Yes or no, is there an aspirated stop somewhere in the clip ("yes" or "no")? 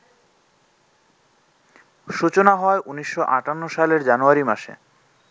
no